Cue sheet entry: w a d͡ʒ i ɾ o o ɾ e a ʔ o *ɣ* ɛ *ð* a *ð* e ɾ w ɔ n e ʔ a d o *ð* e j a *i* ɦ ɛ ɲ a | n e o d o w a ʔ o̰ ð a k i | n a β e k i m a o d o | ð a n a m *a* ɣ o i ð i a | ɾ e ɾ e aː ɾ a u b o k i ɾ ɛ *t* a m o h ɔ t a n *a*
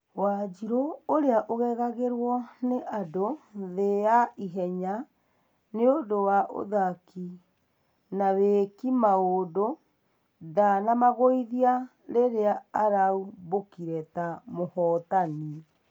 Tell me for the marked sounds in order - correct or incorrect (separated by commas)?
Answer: correct, incorrect, incorrect, correct, correct, correct, correct, incorrect